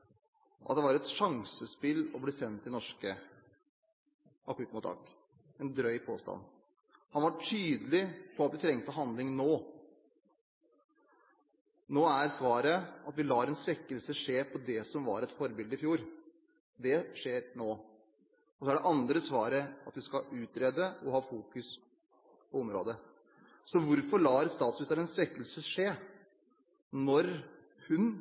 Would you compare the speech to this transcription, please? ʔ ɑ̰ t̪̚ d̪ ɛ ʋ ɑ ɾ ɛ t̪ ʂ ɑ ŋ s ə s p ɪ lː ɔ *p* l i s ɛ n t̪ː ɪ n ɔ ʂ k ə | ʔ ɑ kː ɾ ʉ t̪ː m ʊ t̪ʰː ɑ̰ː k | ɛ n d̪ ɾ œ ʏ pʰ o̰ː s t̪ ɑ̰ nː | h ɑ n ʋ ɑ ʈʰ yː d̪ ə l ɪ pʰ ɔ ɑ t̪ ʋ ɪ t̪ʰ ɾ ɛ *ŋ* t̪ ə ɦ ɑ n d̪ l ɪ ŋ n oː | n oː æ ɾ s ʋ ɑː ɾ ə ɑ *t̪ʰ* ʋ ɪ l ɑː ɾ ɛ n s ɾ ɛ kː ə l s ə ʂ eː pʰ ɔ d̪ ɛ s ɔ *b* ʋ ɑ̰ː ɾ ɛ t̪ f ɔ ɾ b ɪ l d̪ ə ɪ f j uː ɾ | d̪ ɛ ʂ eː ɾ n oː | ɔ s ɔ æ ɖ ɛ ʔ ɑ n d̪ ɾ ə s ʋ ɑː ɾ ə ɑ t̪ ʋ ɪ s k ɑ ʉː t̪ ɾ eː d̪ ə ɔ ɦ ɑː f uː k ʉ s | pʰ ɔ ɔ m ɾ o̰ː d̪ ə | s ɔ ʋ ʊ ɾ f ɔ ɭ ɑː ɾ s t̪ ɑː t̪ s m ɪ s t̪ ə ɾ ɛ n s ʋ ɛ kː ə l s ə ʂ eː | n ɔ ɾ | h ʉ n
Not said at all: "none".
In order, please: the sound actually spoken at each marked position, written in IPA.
b, ŋ, t̪, m

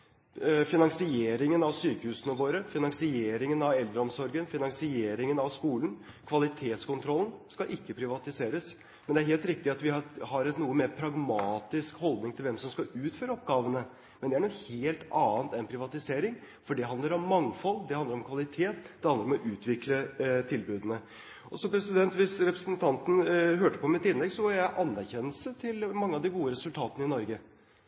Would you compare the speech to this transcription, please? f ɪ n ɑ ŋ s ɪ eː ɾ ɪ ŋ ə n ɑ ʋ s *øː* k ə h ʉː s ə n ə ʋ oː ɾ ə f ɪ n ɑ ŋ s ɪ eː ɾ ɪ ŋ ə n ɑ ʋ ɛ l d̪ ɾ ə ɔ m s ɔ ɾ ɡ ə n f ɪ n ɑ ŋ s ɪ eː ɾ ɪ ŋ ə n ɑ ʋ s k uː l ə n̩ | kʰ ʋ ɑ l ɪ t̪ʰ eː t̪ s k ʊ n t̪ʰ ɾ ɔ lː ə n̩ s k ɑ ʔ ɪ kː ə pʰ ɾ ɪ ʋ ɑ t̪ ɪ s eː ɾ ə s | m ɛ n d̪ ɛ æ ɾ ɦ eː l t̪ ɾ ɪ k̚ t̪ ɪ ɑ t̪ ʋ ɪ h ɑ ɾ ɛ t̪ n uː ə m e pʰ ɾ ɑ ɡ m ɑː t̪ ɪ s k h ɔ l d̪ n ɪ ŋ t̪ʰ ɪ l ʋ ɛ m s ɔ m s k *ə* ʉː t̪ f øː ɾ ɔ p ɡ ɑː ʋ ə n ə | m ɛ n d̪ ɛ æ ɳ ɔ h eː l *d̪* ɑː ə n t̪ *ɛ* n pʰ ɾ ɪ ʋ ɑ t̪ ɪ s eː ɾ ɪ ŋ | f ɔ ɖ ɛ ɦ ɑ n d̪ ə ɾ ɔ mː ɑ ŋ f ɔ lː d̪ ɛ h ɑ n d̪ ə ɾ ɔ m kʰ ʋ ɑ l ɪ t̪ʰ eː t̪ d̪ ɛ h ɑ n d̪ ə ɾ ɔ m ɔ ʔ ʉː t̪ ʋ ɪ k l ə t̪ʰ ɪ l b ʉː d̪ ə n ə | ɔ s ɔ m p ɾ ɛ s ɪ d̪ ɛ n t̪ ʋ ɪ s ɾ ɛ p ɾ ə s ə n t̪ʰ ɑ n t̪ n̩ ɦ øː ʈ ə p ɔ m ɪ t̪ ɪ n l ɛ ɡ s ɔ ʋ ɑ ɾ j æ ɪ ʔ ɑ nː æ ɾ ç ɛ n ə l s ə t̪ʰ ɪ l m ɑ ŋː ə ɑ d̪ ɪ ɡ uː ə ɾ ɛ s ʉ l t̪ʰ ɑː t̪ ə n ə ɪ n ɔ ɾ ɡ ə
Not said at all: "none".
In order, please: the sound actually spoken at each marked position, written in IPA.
yː, ɑ, t̪, ɛ

